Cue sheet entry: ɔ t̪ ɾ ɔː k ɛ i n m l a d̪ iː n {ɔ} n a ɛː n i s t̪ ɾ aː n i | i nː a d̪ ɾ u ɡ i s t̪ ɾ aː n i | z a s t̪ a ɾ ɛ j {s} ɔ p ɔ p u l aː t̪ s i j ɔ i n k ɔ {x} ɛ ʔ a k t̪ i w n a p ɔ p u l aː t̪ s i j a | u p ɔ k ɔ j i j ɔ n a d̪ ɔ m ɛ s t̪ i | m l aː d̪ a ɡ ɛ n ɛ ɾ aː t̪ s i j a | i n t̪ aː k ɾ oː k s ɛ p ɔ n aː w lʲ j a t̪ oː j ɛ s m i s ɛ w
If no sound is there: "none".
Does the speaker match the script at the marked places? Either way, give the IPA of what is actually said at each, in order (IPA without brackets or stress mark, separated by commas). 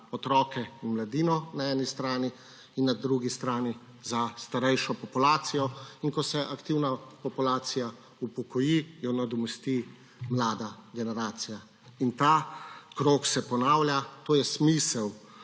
ɔ, ʃ, s